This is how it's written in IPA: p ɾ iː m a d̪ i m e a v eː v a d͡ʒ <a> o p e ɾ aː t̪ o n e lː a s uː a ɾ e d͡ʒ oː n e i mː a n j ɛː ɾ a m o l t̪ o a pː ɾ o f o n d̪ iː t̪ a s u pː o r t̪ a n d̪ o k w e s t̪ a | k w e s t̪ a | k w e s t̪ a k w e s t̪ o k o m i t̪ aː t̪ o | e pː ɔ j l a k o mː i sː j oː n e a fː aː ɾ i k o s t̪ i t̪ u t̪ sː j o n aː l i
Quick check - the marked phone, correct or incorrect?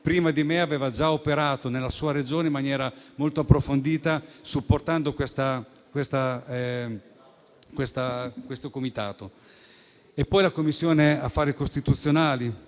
correct